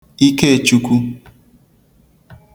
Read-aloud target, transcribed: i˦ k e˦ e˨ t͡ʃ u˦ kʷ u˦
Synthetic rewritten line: i˦ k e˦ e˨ t͡ʃ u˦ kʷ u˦